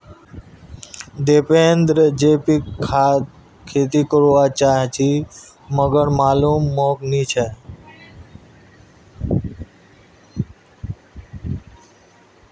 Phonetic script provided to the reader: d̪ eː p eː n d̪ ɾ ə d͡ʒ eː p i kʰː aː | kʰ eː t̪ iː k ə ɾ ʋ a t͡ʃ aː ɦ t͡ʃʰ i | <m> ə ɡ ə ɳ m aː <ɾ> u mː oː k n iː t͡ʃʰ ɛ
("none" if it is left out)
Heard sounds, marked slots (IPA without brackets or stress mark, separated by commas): m, l